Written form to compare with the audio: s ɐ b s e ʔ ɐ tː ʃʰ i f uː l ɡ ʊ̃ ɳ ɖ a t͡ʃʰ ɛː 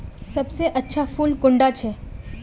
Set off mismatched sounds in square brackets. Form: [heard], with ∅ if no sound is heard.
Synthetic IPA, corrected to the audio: s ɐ b s e ʔ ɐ tː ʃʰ [a] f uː l [k] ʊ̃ ɳ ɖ a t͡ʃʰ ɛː